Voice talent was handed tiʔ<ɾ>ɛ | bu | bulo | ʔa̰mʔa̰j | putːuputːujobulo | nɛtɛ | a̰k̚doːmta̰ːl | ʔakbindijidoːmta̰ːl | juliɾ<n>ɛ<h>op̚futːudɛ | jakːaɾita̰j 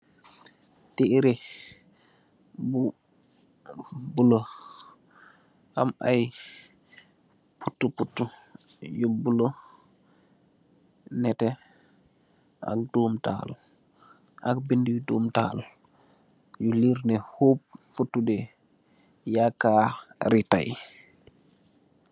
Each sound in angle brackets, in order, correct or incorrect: correct, correct, correct

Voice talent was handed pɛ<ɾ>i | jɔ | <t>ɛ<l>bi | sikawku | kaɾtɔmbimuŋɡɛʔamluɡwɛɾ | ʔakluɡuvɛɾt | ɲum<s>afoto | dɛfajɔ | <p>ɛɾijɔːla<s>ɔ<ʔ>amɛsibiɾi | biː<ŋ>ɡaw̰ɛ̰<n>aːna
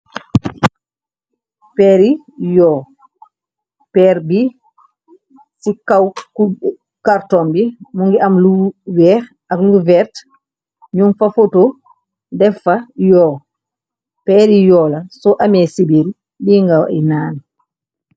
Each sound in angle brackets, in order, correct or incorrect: correct, incorrect: p, incorrect: ɾ, incorrect: f, correct, correct, correct, correct, correct

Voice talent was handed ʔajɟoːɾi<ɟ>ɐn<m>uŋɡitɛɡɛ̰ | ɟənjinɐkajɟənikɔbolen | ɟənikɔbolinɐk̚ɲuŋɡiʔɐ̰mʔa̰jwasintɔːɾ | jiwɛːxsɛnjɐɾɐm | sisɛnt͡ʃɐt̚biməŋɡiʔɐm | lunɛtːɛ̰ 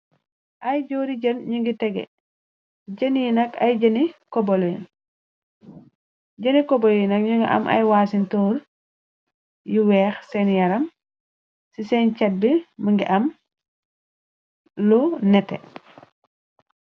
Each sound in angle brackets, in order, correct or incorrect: correct, incorrect: ɲ

